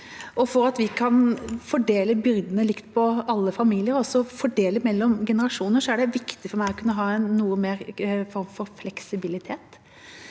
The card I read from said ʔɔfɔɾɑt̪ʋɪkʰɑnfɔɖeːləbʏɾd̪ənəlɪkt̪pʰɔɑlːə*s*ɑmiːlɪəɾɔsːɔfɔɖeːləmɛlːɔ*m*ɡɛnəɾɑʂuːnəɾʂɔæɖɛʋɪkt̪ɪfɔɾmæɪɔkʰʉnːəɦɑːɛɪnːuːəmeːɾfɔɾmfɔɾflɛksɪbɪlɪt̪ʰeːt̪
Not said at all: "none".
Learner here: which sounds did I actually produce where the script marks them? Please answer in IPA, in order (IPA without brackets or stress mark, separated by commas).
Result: f, m